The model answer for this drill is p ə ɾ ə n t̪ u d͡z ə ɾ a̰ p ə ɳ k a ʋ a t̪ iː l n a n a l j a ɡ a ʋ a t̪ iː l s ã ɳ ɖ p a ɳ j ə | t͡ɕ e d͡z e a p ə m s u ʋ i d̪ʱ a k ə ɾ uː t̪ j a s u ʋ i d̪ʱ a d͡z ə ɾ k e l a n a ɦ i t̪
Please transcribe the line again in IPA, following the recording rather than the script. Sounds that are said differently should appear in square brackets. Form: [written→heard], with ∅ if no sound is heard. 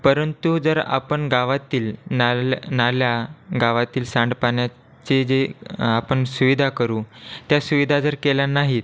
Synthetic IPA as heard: p ə ɾ ə n t̪ u d͡z ə ɾ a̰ p ə ɳ [k→ɡ] a ʋ a t̪ iː l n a n a l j a ɡ a ʋ a t̪ iː l s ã ɳ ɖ p a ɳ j [ə→a] | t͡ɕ e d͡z e a p ə [m→ɳ] s u ʋ i d̪ʱ a k ə ɾ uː t̪ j a s u ʋ i d̪ʱ a d͡z ə ɾ k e l a n a ɦ i t̪